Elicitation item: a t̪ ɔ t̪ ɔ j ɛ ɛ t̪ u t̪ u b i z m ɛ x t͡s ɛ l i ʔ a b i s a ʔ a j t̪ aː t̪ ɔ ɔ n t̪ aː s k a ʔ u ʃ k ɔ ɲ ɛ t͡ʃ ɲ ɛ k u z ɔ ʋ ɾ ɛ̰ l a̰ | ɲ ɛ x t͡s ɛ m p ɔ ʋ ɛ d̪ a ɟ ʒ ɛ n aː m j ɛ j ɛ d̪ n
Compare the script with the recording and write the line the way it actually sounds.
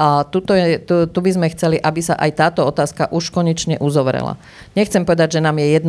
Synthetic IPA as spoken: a t̪ u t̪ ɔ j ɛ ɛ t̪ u t̪ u b i z m ɛ x t͡s ɛ l i ʔ a b i s a ʔ a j t̪ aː t̪ ɔ ɔ t̪ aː s k a ʔ u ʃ k ɔ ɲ ɛ t͡ʃ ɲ ɛ ʔ u z ɔ ʋ ɾ ɛ̰ l a̰ | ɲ ɛ x t͡s ɛ m p ɔ ʋ ɛ d̪ a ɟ ʒ ɛ n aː m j ɛ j ɛ d̪ n